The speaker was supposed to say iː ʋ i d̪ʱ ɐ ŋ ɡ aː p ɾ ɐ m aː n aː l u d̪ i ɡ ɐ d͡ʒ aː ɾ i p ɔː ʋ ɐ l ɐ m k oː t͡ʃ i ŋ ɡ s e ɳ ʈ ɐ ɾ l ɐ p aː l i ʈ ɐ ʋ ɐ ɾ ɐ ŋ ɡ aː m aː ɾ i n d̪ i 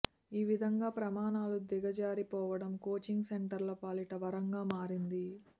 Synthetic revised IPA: iː ʋ i d̪ʱ ɐ ŋ ɡ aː p ɾ ɐ m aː n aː l u d̪ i ɡ ɐ d͡ʒ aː ɾ i p ɔː ʋ ɐ ɽ ɐ m k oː t͡ʃ i ŋ ɡ s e ɳ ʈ ɐ ɾ l ɐ p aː l i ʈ ɐ ʋ ɐ ɾ ɐ ŋ ɡ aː m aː ɾ i n d̪ i